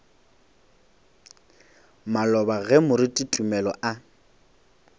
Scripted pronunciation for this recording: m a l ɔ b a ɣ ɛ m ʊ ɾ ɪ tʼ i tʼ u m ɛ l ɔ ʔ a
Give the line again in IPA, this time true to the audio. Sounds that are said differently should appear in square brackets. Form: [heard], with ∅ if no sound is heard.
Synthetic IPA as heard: m a l ɔ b a ɣ ɛ m ʊ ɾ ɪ tʼ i tʼ u m ɛ l ɔ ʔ a